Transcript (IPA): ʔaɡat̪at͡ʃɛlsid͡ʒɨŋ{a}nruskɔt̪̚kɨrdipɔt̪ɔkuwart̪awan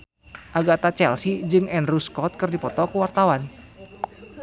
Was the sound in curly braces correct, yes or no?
no